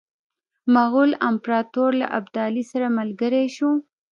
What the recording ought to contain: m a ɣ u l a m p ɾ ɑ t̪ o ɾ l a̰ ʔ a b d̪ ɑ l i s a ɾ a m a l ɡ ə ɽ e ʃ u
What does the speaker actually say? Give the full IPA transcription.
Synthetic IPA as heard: m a ɣ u l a m p ɾ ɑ t̪ o ɾ l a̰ ʔ a b d̪ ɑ l i s a ɾ a m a l ɡ ə ɾ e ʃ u